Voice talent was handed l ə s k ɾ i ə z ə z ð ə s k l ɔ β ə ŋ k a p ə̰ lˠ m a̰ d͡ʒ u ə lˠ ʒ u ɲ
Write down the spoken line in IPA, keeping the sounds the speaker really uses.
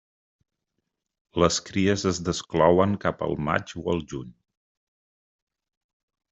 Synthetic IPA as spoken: l ə s k ɾ i ə z ə z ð ə s k l ɔ w ə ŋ k a p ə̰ lˠ m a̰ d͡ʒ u ə lˠ ʒ u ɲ